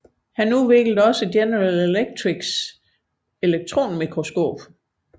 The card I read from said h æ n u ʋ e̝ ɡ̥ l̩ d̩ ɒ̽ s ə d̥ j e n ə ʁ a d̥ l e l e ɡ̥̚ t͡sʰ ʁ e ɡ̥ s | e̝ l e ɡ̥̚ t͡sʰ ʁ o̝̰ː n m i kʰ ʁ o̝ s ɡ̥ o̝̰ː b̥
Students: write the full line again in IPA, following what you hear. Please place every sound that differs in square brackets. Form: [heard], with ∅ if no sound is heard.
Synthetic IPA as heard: h æ n u ʋ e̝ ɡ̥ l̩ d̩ ɒ̽ s ə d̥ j e n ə ʁ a [∅] l e l e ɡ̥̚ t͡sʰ ʁ [i] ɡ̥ s | e̝ l e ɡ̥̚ t͡sʰ ʁ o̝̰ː n m i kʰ ʁ o̝ s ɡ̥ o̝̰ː b̥